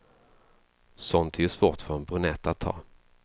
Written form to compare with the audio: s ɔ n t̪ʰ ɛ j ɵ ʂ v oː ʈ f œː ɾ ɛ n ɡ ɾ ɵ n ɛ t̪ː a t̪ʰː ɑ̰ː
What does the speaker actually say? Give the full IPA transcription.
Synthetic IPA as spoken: s ɔ n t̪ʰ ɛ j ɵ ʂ v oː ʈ f œ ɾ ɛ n b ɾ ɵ n ɛ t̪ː a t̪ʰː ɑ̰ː